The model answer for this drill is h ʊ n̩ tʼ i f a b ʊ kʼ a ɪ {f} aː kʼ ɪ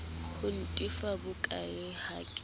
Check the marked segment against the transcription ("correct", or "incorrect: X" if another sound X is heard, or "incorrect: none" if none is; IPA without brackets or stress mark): incorrect: h